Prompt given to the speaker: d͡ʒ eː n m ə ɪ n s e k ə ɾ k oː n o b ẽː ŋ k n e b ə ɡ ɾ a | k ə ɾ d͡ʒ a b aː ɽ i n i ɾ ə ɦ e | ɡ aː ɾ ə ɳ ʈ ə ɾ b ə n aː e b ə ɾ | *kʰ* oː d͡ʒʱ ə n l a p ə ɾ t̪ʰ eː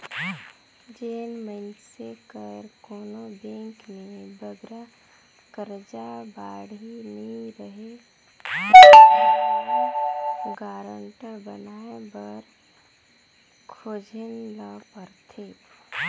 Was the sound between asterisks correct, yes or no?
yes